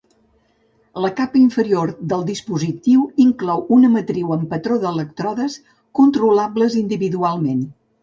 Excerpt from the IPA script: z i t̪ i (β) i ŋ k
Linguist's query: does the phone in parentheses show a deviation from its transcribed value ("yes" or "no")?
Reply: yes